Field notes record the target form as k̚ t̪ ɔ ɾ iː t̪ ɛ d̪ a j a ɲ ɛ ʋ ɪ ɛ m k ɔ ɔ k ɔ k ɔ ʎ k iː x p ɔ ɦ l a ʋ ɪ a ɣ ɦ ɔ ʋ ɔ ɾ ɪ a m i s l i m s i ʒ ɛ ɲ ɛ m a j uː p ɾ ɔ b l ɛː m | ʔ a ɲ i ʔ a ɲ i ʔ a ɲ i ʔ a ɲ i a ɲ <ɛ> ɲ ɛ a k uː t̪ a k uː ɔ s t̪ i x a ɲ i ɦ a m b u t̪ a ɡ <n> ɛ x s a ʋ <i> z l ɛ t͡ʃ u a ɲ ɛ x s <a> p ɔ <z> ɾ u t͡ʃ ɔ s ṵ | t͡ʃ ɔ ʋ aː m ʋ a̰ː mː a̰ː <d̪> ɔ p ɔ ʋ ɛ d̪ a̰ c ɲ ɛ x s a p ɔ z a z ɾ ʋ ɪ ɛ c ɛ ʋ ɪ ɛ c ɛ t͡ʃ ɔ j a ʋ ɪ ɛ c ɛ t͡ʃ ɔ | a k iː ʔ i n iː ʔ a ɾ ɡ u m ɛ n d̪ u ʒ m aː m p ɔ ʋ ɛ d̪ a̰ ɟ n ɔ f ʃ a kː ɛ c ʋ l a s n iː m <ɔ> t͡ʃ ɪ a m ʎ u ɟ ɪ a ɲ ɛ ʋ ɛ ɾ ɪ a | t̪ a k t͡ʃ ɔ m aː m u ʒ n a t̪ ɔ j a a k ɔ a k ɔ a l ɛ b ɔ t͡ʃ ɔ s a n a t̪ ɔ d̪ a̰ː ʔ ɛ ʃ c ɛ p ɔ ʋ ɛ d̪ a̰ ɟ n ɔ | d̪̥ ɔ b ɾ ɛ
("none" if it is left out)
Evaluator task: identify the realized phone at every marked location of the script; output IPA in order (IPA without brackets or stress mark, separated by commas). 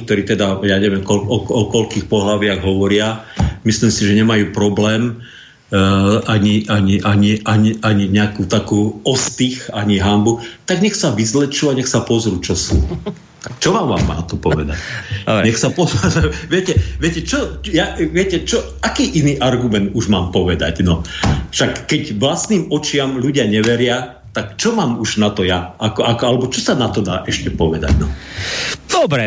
i, ɲ, i, a, z, t̪, ɔ